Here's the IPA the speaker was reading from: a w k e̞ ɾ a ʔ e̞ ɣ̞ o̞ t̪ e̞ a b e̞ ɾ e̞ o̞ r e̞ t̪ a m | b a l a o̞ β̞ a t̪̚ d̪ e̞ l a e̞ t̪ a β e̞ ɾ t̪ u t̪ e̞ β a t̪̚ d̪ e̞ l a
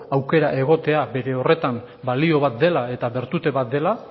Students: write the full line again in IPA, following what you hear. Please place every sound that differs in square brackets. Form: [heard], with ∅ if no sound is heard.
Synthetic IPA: a w k e̞ ɾ a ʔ e̞ ɣ̞ o̞ t̪ e̞ a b e̞ ɾ e̞ o̞ r e̞ t̪ a m | b a l [i] o̞ β̞ a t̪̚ d̪ e̞ l a e̞ t̪ a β e̞ ɾ t̪ u t̪ e̞ β a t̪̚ d̪ e̞ l a